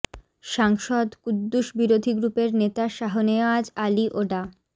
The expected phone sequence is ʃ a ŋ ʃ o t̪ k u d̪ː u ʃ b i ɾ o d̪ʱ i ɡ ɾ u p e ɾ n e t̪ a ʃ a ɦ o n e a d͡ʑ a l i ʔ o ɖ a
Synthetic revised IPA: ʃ a ŋ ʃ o d̪ k u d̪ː u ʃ b i ɾ o d̪ʱ i ɡ ɾ u p e ɾ n e t̪ a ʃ a ɦ o n e a d͡ʑ a l i ʔ o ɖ a